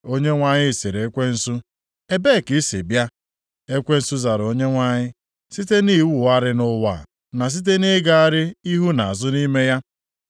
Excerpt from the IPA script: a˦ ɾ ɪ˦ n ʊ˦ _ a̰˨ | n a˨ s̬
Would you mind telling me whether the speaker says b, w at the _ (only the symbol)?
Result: w